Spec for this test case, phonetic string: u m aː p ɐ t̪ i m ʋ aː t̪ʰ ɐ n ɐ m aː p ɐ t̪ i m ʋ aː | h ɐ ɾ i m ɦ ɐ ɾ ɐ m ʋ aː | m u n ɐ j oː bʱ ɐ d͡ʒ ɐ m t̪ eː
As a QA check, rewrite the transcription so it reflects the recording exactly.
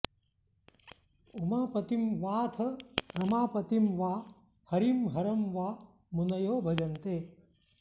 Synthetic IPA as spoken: u m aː p ɐ t̪ i m ʋ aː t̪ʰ ɐ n ɐ m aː p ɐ t̪ i m ʋ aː | h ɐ ɾ i m ɦ ɐ ɾ ɐ m ʋ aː | m u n ɐ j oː bʱ ɐ d͡ʒ ɐ n t̪ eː